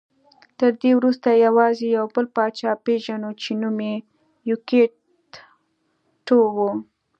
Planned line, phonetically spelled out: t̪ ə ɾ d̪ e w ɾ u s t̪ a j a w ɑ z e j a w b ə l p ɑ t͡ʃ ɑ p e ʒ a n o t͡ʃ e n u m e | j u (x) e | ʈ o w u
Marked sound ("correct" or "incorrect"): incorrect